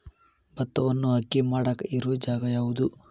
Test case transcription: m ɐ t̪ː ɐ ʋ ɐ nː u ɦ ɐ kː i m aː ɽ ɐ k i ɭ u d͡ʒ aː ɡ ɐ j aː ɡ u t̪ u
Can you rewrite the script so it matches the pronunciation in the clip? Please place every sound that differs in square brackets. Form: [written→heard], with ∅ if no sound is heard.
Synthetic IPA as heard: [m→b] ɐ t̪ː ɐ ʋ ɐ nː u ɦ ɐ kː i m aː ɽ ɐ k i [ɭ→ɾ] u d͡ʒ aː ɡ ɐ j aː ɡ u [t̪→d̪] u